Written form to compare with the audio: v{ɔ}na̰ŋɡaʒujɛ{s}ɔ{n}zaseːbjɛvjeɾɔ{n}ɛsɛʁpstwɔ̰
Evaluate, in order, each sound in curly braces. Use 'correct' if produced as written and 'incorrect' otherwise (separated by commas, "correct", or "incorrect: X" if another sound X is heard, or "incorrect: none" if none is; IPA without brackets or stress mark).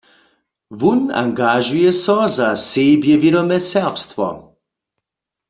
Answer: incorrect: u, correct, incorrect: none, incorrect: m